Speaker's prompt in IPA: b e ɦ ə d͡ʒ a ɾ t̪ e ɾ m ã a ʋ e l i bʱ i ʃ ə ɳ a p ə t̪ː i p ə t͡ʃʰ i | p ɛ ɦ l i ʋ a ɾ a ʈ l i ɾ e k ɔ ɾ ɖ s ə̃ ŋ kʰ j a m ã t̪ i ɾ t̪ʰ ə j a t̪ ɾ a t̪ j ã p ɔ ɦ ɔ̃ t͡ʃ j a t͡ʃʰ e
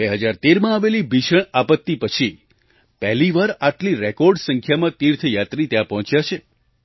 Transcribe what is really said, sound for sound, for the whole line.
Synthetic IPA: b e ɦ ə d͡ʒ a ɾ t̪ e ɾ m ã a ʋ e l i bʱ i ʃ ə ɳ a p ə t̪ː i p ə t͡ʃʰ i | p ɛ ɦ l i ʋ a ɾ a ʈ l i ɾ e k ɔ ɾ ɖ s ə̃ ŋ kʰ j a m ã t̪ i ɾ t̪ʰ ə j a t̪ ɾ i t̪ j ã p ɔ ɦ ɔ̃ t͡ʃ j a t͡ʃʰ e